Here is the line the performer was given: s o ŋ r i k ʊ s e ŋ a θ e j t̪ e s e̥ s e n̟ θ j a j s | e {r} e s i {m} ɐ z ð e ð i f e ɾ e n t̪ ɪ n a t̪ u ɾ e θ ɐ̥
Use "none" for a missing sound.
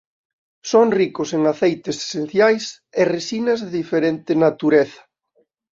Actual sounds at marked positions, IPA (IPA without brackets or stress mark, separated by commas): r, n